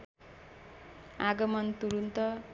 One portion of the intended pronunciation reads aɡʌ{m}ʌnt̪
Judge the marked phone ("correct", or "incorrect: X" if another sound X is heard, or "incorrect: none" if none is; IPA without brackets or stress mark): correct